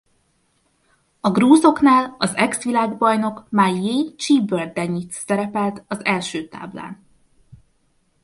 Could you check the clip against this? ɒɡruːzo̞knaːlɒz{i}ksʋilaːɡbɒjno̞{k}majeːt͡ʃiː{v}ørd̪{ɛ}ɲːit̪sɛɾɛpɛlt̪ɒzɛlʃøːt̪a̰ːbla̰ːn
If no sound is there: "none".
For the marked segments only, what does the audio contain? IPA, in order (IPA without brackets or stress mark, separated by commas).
ɛ, k, b, ɛ